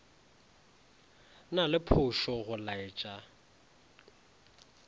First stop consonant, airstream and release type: aspirated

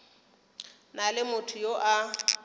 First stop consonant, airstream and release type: aspirated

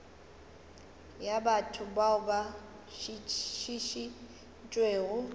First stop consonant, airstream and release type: plain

